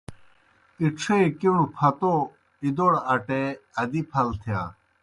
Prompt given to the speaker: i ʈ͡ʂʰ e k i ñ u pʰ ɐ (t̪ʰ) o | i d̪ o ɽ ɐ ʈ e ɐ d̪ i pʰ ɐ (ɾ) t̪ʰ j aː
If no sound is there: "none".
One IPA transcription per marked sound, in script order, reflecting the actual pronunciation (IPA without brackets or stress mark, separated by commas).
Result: t̪, l